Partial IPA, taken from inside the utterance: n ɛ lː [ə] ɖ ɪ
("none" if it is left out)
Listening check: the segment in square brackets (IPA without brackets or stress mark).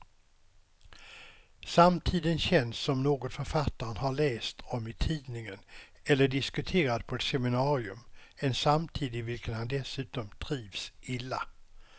ə